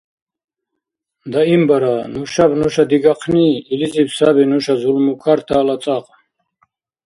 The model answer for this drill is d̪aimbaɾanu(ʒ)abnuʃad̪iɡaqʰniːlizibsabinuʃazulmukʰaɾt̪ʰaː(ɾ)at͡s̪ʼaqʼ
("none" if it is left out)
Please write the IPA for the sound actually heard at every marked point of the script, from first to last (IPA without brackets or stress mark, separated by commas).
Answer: ʃ, l